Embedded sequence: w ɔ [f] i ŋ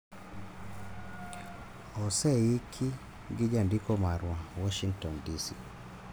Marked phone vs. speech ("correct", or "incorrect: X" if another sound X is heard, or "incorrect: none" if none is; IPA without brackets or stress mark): incorrect: ʃ